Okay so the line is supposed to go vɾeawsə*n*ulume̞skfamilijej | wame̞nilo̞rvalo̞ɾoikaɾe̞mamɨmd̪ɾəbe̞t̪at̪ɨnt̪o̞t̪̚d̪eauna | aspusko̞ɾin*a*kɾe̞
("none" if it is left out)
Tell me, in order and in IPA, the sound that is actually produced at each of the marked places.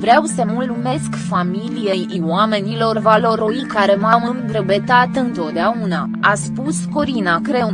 m, a

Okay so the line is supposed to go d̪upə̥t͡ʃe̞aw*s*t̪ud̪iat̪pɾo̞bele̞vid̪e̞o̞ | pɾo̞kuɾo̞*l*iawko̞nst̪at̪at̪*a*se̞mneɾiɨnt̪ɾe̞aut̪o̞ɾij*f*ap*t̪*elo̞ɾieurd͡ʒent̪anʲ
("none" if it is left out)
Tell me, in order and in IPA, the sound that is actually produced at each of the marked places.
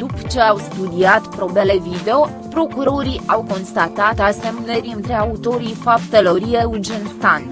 s, ɾ, a, f, t̪

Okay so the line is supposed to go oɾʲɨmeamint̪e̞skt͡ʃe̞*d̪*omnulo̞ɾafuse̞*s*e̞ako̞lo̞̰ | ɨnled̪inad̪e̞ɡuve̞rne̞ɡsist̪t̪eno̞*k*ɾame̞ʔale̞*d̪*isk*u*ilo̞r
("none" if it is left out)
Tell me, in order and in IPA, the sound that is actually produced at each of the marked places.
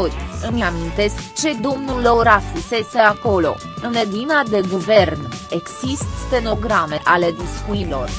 d̪, s, ɡ, d̪, u

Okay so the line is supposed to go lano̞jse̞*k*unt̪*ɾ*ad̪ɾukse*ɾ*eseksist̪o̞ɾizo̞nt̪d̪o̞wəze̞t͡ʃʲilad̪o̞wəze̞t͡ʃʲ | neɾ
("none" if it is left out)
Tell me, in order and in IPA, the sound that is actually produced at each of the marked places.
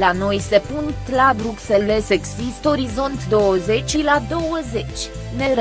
p, l, l

